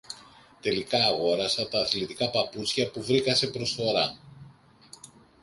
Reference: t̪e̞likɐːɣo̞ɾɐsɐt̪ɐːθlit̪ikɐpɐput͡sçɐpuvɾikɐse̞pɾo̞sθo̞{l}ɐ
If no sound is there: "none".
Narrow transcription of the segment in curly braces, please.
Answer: ɾ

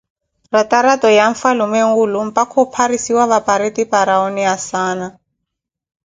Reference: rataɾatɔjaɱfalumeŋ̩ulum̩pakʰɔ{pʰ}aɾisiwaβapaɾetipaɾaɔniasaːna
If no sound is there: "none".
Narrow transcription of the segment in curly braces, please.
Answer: pʰ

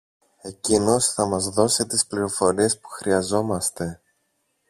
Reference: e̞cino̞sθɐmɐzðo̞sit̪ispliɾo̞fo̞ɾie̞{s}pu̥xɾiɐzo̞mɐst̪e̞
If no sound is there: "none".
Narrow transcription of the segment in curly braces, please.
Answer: s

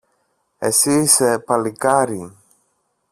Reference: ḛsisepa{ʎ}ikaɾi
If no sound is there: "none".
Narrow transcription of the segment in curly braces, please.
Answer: l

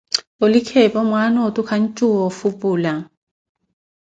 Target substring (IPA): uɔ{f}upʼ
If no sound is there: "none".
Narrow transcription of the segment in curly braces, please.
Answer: f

